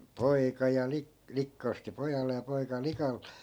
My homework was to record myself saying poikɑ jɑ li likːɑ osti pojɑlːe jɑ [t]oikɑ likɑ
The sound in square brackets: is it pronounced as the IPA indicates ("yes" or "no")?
no